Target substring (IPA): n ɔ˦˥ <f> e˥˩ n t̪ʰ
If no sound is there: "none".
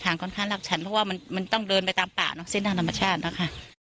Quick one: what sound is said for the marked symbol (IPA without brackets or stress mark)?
s